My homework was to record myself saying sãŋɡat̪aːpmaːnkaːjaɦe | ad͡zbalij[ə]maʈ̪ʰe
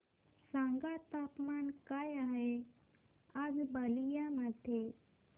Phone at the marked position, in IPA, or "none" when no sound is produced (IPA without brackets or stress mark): a